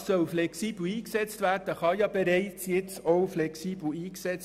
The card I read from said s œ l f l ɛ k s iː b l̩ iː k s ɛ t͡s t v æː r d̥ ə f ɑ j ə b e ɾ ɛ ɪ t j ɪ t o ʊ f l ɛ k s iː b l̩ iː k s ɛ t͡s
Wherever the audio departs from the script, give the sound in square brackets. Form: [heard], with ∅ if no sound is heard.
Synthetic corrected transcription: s œ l f l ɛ k s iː b l̩ iː k s ɛ t͡s t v æː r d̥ ə [χ] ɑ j [ɑ] b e ɾ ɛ ɪ [t͡s] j ɪ [t͡s] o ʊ f l ɛ k s iː b l̩ iː k s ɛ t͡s

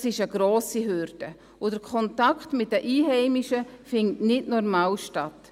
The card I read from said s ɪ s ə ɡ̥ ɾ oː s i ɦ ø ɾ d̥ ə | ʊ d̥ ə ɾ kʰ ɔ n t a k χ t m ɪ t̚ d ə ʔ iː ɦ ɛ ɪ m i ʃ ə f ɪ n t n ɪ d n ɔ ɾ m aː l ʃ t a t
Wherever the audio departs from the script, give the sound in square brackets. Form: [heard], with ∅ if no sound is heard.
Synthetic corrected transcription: s ɪ [ʃ] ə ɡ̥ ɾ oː s i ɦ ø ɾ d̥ ə | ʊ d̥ ə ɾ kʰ ɔ n t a k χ t m ɪ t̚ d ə ʔ iː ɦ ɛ ɪ m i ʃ ə f ɪ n t n ɪ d n ɔ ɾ m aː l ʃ t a t

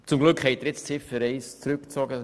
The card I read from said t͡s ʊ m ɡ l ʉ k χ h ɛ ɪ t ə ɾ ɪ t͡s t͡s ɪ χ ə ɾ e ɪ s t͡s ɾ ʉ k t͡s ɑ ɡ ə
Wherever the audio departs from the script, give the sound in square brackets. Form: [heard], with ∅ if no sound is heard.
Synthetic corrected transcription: t͡s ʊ m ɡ l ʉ k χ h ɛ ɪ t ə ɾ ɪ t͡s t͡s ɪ [f] ə ɾ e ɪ s t͡s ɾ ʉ k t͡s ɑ ɡ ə

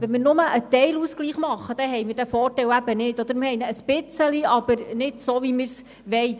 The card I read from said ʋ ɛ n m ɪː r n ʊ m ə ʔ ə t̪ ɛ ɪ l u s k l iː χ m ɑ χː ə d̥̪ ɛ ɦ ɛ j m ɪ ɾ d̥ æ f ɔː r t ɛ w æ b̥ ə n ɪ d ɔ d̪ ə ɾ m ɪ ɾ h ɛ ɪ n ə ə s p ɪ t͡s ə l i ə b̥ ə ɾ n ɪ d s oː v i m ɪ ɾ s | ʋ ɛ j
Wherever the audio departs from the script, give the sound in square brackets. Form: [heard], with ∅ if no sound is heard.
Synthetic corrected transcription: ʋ ɛ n m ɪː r n ʊ m ə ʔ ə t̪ ɛ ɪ l u s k l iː χ m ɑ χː ə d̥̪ ɛ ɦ ɛ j m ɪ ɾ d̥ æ f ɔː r t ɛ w æ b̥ ə n ɪ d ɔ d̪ ə ɾ m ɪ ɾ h ɛ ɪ n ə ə s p ɪ t͡s ə l i [ɑ] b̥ ə ɾ n ɪ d s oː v i m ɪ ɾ s | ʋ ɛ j

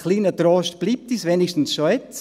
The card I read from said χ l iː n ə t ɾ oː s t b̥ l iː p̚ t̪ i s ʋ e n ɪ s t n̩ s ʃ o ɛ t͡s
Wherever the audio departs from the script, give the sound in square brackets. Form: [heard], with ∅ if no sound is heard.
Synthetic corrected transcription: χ l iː n ə t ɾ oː [ʃ] t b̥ l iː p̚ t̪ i s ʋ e n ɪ [ʃ] t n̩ s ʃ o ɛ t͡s

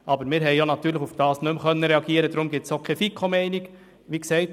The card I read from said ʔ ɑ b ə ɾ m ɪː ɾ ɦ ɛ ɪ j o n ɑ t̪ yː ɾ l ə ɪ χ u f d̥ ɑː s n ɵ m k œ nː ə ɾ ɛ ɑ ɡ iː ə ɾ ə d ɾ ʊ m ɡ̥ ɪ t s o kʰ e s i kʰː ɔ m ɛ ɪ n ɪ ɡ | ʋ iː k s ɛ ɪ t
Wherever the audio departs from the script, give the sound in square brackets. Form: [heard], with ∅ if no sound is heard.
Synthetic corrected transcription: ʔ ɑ b ə ɾ m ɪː ɾ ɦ ɛ ɪ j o n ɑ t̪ yː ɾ l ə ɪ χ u f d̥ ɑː s n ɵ m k œ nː ə ɾ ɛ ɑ ɡ iː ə ɾ ə d ɾ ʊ m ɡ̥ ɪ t s o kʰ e [f] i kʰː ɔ m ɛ ɪ n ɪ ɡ | ʋ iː k s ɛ ɪ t

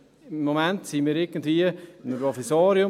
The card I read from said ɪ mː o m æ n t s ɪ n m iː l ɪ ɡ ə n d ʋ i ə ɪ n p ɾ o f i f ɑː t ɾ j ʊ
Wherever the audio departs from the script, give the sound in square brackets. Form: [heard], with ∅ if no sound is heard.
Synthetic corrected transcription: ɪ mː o m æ n t s [i] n m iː [ɾ] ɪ ɡ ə n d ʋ i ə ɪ n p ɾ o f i [s] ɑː [∅] ɾ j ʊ

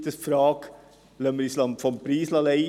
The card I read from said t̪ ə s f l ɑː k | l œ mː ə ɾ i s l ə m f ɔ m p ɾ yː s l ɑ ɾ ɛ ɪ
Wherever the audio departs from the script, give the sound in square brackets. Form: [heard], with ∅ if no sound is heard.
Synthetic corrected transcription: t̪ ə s f [ɾ] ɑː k | l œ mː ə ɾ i s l [ɑ] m f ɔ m p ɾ [iː] s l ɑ [l] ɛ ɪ

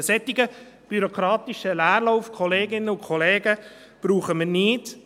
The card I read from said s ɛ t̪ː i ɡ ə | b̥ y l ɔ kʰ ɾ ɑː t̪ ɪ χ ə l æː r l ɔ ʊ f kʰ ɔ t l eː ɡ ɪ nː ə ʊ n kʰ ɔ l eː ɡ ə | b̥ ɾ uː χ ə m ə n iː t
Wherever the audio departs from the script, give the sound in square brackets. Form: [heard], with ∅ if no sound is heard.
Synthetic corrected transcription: s ɛ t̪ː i ɡ ə | b̥ y [ɾ] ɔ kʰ ɾ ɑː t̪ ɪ [ʃ] ə l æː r l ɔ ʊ f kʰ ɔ [∅] l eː ɡ ɪ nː ə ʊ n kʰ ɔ l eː ɡ ə | b̥ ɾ uː χ ə m ə n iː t

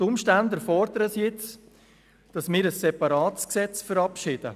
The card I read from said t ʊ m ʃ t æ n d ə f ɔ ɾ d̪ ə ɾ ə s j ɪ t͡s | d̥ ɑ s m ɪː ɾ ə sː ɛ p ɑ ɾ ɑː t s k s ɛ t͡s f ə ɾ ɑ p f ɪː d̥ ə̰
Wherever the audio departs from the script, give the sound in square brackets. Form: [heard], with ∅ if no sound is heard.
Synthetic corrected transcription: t ʊ m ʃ t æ n d ə f ɔ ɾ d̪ ə ɾ ə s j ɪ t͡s | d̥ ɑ s m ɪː ɾ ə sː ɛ p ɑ ɾ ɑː t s k s ɛ t͡s f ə ɾ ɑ p [ʃ] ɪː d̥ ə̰

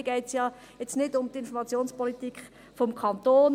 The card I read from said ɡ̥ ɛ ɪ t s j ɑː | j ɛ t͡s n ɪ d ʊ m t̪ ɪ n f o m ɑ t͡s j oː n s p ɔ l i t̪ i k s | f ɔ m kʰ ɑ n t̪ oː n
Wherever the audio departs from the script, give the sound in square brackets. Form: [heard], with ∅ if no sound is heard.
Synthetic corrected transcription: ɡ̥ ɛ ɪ t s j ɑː | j ɛ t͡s n ɪ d ʊ m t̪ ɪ n f [ɔ] m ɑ t͡s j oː n s p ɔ l i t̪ i k [χ] | f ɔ m kʰ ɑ n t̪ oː n

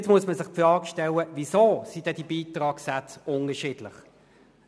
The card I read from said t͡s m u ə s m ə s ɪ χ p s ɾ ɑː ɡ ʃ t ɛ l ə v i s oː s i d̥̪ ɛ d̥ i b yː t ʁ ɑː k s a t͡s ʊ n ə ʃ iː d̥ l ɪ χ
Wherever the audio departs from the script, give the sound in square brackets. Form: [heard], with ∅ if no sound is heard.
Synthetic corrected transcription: t͡s m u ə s m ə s ɪ χ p [f] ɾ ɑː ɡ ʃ t ɛ l ə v i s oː s i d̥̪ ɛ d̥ i b [iː] t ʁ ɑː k s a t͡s ʊ n ə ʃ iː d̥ l ɪ χ

